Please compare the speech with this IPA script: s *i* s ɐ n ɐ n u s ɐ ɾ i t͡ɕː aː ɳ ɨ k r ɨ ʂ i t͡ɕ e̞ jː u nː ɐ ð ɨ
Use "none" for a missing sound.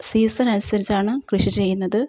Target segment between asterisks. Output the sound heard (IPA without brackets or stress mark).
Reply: iː